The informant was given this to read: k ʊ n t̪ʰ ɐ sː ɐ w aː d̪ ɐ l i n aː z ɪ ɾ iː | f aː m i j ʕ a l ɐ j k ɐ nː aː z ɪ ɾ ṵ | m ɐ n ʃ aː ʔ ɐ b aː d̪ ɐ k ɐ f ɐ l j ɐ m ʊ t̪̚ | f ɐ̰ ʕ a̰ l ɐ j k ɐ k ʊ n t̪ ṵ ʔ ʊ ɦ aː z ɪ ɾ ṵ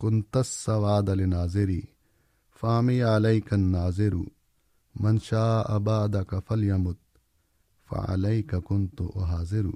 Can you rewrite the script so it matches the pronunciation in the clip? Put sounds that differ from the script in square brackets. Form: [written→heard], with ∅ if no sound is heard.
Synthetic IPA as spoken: k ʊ n [t̪ʰ→t̪] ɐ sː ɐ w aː d̪ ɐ l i n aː z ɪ ɾ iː | f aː m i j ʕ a l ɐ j k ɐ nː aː z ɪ ɾ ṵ | m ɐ n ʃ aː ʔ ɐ b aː d̪ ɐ k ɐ f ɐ l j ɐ m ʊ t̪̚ | f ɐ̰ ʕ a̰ l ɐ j k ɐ k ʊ n t̪ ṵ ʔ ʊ ɦ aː z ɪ ɾ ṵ